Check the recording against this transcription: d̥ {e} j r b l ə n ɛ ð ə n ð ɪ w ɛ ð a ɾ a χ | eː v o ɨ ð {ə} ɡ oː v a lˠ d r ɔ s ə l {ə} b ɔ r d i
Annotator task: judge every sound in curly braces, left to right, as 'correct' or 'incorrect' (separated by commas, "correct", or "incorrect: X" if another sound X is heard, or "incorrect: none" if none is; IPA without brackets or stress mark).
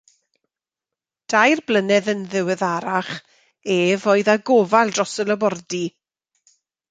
incorrect: a, incorrect: a, correct